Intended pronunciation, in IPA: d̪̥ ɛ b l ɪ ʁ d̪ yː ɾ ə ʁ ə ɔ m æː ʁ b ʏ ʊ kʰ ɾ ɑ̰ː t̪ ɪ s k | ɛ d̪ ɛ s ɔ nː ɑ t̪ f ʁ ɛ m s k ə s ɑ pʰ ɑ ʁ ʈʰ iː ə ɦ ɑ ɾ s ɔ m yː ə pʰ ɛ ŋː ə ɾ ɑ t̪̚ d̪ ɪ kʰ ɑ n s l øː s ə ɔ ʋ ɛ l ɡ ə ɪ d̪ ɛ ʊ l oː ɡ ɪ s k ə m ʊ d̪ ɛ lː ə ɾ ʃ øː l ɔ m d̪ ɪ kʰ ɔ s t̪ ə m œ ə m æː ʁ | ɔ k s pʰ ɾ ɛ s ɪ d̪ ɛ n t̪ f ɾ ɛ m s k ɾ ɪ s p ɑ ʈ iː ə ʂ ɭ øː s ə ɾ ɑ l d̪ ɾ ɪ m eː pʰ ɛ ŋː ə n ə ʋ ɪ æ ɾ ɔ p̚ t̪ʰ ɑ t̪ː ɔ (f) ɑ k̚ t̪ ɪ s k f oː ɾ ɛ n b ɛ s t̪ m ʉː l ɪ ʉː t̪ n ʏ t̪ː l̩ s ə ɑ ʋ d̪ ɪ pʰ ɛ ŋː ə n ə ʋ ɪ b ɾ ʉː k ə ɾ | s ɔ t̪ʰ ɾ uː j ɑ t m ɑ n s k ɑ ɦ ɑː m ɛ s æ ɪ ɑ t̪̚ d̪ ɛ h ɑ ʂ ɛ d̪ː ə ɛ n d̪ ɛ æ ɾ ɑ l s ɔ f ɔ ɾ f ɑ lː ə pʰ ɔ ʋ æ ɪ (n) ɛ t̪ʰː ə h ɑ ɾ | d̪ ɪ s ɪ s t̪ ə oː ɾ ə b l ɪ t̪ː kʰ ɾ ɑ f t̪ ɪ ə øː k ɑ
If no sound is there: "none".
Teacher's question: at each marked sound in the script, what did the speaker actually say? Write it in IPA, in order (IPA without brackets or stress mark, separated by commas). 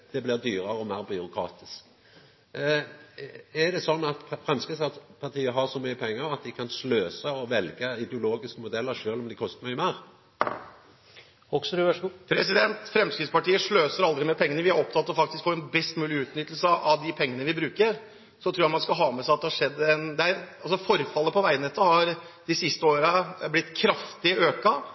f, n